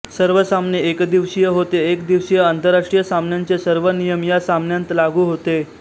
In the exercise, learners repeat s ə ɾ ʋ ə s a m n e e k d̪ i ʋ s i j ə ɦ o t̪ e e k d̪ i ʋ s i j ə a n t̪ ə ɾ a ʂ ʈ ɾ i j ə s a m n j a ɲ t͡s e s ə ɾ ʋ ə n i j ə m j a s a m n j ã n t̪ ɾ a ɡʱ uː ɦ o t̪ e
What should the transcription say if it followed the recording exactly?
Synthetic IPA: s ə ɾ ʋ ə s a m n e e k d̪ i ʋ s i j ə ɦ o t̪ e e k d̪ i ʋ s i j ə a n t̪ ə ɾ a ʂ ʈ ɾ i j ə s a m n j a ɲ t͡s e s ə ɾ ʋ ə n i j ə m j a s a m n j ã n t̪ l a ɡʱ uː ɦ o t̪ e